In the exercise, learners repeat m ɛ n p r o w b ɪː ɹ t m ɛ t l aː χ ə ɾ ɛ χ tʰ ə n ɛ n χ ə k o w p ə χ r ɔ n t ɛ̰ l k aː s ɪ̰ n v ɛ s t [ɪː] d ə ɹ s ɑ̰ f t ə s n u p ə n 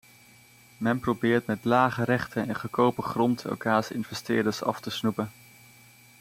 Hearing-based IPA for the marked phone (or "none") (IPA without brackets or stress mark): ɪː